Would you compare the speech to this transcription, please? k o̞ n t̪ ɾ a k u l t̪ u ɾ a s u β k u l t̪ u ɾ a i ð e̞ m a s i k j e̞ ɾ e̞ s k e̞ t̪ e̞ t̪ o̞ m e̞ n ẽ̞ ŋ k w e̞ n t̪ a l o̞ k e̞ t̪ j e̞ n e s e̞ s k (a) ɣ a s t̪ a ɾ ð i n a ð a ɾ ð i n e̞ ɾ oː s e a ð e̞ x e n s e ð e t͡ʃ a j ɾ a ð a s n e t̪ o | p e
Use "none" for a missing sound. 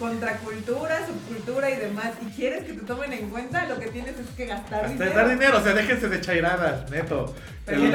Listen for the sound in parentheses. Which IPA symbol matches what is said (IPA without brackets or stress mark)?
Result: e